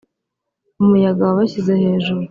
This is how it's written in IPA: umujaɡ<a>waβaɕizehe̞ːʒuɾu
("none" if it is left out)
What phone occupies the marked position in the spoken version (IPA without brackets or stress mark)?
a